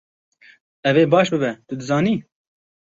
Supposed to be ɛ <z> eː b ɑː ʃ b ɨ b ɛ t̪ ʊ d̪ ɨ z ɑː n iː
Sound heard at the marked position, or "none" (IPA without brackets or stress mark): v